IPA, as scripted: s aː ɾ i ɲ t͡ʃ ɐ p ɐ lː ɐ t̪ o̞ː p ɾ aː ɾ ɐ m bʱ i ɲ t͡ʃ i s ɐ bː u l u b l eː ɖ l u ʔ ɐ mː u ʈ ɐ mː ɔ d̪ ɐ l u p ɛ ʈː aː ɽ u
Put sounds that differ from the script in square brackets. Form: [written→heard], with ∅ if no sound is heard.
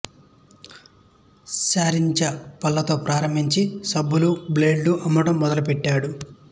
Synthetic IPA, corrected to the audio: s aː ɾ i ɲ t͡ʃ ɐ p ɐ lː ɐ t̪ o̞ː p ɾ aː ɾ ɐ m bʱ i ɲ t͡ʃ i s ɐ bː u l u b l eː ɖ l u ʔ ɐ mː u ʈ ɐ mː ɔ d̪ ɐ l u p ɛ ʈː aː ɽ u